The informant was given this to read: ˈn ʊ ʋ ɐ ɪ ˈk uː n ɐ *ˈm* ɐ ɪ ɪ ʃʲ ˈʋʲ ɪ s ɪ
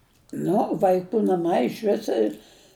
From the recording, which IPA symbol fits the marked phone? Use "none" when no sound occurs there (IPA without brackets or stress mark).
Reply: m